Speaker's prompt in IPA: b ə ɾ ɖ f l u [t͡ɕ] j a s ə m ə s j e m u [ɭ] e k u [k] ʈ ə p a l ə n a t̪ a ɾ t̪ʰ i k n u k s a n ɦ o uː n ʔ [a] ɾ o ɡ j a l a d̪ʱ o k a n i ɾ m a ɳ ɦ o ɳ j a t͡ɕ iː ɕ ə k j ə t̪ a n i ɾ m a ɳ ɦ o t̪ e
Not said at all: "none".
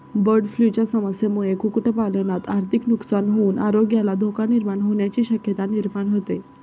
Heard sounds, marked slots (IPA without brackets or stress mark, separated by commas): t͡ɕ, ɭ, k, a